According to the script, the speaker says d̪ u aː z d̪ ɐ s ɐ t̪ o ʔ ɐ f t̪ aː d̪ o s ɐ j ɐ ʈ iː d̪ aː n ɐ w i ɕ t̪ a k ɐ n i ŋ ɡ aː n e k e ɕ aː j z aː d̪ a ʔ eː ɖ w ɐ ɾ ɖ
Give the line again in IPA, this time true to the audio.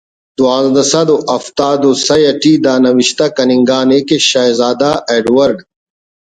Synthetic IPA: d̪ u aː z d̪ ɐ s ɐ d̪ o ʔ ɐ f t̪ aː d̪ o s ɐ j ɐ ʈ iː d̪ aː n ɐ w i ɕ t̪ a k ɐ n i ŋ ɡ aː n e k e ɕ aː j z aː d̪ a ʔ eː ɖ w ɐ ɾ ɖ